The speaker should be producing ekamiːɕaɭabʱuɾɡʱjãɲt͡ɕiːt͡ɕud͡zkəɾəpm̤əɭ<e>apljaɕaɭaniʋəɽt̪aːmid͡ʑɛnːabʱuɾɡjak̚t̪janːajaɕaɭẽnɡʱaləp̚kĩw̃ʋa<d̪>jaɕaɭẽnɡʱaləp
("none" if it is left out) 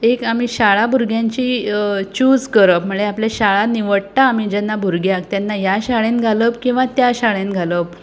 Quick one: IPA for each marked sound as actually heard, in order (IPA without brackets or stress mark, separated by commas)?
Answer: e, t̪